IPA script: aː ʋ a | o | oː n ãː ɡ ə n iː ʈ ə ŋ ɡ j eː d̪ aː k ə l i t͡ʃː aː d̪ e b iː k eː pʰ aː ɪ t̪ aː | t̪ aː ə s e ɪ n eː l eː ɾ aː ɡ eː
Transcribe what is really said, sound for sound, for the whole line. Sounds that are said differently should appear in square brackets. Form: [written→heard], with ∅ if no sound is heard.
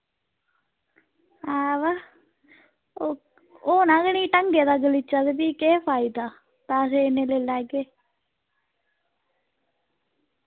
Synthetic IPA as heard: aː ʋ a | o | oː n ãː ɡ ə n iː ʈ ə ŋ ɡ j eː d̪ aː [k→ɡ] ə l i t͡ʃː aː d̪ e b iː k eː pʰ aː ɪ [t̪→d̪] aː | t̪ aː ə s e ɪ n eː l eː [ɾ→l] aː ɡ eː